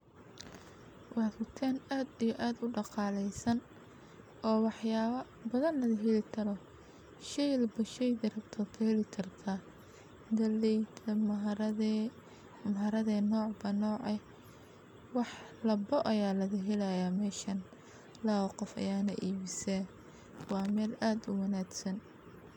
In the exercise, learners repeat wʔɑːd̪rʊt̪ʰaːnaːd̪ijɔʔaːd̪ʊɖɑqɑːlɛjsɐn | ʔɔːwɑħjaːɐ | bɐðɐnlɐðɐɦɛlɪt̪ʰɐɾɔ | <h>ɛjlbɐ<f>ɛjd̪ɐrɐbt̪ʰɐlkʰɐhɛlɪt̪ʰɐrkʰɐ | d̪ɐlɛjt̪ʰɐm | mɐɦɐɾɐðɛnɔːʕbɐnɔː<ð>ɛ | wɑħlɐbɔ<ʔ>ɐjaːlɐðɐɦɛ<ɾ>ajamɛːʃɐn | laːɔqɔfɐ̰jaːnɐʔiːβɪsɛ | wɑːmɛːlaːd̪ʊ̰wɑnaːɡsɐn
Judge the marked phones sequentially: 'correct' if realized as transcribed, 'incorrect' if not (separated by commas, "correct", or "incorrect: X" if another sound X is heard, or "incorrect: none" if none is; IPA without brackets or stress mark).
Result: incorrect: ʃ, incorrect: ʃ, incorrect: ʕ, correct, incorrect: l